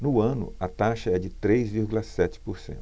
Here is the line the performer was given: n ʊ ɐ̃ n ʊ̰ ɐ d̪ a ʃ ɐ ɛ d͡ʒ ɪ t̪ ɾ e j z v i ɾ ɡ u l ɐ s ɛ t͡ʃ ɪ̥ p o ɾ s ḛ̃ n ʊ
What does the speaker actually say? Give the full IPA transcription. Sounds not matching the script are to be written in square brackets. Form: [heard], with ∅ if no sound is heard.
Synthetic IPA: n ʊ ɐ̃ n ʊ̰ ɐ [t̪] a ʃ ɐ ɛ d͡ʒ ɪ t̪ ɾ e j z v i ɾ ɡ u l ɐ s ɛ t͡ʃ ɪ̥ p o ɾ s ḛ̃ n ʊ